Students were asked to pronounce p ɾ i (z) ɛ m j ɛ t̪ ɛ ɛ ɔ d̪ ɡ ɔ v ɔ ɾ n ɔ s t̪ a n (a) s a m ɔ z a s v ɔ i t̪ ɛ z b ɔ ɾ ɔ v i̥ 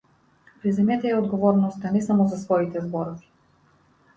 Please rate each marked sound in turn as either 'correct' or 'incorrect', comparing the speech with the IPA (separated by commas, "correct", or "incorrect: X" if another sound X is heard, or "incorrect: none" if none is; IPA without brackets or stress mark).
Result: correct, incorrect: ɛ